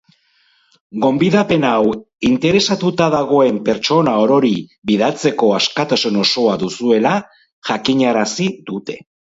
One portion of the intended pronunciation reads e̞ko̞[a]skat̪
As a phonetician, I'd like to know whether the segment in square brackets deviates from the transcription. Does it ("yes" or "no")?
no